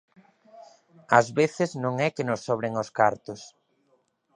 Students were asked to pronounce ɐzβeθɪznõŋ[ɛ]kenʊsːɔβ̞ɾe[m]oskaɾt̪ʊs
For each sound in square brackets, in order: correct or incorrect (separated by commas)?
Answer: correct, incorrect